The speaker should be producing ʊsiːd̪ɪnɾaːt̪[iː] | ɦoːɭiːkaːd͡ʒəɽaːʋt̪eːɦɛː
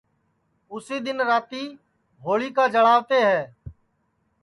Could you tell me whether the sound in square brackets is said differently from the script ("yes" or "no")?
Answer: no